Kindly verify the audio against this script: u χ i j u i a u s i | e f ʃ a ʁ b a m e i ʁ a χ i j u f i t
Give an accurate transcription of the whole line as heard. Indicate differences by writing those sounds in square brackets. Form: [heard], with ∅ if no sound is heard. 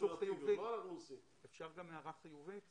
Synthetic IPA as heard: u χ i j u i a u s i | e f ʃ a ʁ [ɡ] a m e [a] ʁ a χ i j u [v] i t